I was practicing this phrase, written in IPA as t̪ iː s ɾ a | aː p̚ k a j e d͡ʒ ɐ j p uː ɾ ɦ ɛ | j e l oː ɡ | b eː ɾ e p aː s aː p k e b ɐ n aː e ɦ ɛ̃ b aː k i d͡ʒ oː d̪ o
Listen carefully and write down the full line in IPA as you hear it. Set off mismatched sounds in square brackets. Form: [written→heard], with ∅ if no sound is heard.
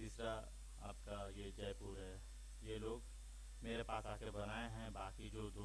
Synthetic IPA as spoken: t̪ iː s ɾ a | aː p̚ k a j e d͡ʒ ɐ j p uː ɾ ɦ ɛ | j e l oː ɡ | [b→m] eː ɾ e p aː s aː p k e b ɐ n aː e ɦ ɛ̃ b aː k i d͡ʒ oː d̪ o